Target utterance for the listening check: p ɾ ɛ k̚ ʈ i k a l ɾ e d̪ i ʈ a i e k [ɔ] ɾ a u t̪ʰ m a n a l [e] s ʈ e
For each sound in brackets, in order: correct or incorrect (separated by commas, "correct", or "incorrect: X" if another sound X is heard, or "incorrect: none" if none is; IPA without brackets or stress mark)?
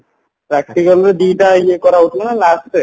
correct, incorrect: a